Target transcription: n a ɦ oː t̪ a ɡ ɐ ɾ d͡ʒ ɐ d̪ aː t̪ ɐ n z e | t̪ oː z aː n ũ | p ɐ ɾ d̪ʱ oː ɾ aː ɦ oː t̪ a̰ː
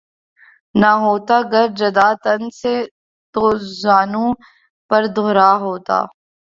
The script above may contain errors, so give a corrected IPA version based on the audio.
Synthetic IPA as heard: n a ɦ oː t̪ a ɡ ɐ ɾ d͡ʒ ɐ d̪ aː t̪ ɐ n s e | t̪ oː z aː n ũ | p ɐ ɾ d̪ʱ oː ɾ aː ɦ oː t̪ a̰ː